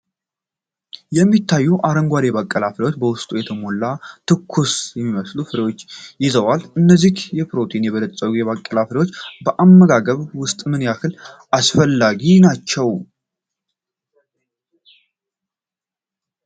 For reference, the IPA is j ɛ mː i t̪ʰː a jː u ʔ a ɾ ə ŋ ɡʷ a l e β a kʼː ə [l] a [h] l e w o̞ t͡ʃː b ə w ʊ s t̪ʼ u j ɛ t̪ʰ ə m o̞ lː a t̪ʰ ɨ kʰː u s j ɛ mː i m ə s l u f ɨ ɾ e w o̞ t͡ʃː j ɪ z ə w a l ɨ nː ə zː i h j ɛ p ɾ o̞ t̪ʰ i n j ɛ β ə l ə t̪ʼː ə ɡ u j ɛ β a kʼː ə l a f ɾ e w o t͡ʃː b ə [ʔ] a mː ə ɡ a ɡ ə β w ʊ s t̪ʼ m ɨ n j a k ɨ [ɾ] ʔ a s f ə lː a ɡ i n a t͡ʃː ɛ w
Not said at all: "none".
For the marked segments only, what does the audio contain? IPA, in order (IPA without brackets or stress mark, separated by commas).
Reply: l, f, ʔ, l